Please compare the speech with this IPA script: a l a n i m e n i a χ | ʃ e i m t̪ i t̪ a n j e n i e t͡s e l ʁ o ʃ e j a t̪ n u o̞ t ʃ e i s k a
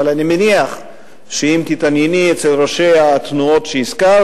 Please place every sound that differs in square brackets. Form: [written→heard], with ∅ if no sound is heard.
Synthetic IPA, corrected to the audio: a l a n i m e n i a χ | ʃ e i m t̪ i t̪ a n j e n i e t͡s e l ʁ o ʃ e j a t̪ n u o̞ t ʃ e i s k a